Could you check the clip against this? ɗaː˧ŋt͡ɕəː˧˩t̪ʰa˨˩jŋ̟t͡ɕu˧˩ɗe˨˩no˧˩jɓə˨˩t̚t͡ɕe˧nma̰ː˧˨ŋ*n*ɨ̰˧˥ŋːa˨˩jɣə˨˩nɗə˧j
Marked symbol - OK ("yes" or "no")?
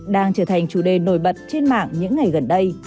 no